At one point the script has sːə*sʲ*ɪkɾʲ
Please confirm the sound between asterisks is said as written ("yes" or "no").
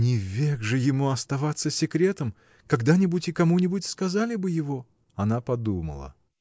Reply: yes